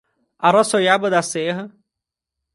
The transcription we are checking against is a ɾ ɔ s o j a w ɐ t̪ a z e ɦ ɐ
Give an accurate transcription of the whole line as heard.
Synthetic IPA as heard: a ɾ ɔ s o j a b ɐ d̪ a s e ɦ ɐ